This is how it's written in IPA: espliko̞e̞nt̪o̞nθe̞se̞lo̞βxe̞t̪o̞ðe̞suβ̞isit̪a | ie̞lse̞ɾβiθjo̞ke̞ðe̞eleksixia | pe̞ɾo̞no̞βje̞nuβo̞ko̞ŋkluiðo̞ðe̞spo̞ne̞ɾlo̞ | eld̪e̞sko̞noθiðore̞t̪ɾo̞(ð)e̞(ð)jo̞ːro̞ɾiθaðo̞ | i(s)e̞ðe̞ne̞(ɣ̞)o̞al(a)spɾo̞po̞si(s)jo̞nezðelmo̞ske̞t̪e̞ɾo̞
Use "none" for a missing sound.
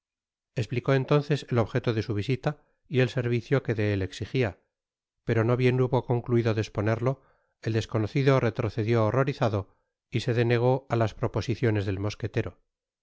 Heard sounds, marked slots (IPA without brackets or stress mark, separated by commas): θ, ð, s, ɣ̞, a, θ